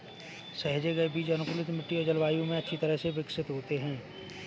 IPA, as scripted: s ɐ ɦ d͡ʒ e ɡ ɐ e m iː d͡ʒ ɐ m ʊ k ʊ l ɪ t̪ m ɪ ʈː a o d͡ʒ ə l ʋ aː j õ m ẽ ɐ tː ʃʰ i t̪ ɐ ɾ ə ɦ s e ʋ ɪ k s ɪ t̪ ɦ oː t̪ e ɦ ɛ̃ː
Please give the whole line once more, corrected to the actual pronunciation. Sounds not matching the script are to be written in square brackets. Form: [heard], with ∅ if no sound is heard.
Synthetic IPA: s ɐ ɦ d͡ʒ e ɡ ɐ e [b] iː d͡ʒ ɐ [n] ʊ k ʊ l ɪ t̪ m ɪ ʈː [i] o d͡ʒ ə l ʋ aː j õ m ẽ ɐ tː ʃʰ i t̪ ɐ ɾ ə ɦ s e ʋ ɪ k s ɪ t̪ ɦ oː t̪ e ɦ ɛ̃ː